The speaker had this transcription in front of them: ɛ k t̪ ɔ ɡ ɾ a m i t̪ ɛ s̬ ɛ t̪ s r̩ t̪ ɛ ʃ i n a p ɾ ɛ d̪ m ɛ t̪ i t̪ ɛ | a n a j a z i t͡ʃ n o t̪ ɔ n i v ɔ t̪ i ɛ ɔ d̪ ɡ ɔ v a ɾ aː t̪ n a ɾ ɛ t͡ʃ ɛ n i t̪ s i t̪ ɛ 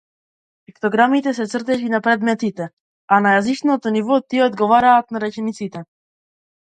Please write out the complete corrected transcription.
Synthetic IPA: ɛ k t̪ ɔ ɡ ɾ a m i t̪ ɛ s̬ ɛ t̪ s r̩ t̪ ɛ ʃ i n a p ɾ ɛ d̪ m ɛ t̪ i t̪ ɛ | a n a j a z i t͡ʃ n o t̪ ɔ n i v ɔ t̪ i ɛ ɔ d̪ ɡ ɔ v a ɾ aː t̪ n a ɾ ɛ t͡ʃ ɛ n i t̪ s i t̪ ɛ